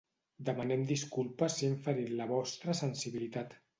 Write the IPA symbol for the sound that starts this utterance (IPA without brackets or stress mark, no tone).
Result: d̪